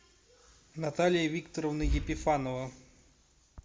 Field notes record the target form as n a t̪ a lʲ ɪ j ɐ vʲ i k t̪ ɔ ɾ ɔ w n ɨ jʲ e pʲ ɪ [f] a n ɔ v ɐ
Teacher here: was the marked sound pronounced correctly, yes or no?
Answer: yes